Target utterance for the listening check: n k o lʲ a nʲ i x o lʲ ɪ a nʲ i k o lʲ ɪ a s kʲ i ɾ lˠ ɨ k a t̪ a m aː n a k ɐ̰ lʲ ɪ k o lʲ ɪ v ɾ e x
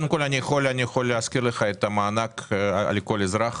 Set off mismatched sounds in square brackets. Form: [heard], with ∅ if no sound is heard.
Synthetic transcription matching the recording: n k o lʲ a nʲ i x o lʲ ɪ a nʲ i [x] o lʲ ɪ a s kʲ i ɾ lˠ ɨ [x] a t̪ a m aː n a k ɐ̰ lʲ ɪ k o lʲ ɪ [z] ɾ [a] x